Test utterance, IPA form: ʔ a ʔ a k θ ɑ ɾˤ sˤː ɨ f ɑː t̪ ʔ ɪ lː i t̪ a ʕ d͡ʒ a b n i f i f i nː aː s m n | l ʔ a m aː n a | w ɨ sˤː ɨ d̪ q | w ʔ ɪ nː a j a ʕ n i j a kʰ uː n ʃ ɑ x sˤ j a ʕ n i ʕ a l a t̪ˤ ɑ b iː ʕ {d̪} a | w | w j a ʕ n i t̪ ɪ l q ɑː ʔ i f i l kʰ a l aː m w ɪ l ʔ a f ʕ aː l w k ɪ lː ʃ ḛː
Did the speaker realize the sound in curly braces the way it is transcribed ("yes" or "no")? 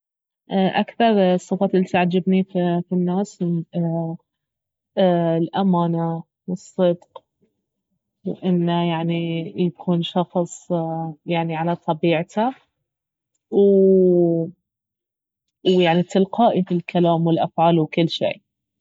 no